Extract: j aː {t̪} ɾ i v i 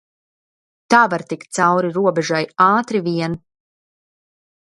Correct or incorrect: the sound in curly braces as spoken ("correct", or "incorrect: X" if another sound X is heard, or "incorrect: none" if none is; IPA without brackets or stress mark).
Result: correct